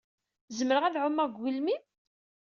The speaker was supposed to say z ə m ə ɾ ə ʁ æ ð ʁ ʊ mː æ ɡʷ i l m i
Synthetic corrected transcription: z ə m ə ɾ ə ʁ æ ð ʕ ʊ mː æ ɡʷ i l m i

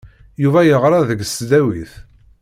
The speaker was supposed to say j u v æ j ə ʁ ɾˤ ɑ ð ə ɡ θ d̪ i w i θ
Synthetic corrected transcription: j u v æ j ə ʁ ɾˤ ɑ ð ə ɡ s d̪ æ w i θ

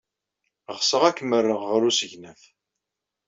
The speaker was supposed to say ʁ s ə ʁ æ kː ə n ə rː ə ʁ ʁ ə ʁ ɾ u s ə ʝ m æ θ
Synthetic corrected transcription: ʁ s ə ʁ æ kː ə m ə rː ə ʁ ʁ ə ɾ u s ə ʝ n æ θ

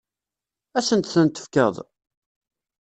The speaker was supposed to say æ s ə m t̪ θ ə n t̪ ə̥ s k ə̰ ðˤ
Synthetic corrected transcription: æ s ə n t̪ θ ə n t̪ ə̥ f k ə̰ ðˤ

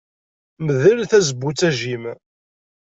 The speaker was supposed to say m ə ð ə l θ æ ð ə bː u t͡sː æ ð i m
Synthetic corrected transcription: m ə ð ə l θ æ z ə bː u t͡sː æ ʒ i m

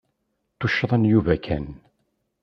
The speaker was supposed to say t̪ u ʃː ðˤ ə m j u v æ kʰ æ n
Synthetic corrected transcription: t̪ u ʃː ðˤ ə n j u v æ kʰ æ n

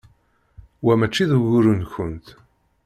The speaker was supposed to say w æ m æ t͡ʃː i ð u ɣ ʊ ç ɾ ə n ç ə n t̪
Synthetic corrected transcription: w æ m æ t͡ʃː i ð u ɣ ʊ ɾ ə n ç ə n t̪

